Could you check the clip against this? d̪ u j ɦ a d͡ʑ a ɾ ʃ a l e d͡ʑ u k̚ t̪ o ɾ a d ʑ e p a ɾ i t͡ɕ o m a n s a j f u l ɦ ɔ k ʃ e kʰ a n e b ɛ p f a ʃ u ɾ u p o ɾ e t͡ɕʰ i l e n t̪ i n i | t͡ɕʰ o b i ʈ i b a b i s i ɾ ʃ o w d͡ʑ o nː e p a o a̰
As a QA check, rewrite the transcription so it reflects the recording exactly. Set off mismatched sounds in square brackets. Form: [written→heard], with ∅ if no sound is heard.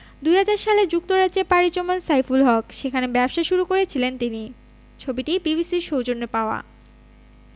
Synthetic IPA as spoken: d̪ u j ɦ a d͡ʑ a ɾ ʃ a l e d͡ʑ u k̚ t̪ o ɾ a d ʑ e p a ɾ i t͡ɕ o m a n s a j f u l ɦ ɔ k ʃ e kʰ a n e b ɛ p [f→ʃ] a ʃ u ɾ u [p→k] o ɾ e t͡ɕʰ i l e n t̪ i n i | t͡ɕʰ o b i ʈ i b [a→i] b i s i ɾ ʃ o w d͡ʑ o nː e p a o a̰